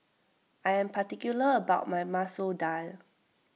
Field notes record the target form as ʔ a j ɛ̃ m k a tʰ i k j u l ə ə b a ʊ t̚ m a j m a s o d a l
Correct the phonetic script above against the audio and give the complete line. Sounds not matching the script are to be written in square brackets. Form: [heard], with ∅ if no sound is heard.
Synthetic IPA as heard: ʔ a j ɛ̃ m [p] a [t] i k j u l ə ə b a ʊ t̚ m a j m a s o d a l